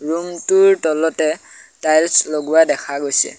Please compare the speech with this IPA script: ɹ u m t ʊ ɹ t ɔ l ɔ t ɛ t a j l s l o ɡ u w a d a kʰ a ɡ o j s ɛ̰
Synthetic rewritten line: ɹ u m t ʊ ɹ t ɔ l ɔ t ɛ t a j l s l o ɡ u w a d ɛ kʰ a ɡ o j s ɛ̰